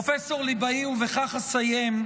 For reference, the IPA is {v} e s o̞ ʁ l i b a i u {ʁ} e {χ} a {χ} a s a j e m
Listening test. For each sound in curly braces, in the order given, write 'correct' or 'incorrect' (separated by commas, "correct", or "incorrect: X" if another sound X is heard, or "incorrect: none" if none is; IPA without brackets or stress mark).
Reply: incorrect: f, incorrect: v, correct, correct